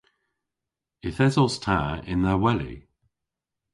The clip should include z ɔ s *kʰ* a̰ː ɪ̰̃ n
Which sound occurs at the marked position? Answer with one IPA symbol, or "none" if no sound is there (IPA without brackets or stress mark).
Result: tʰ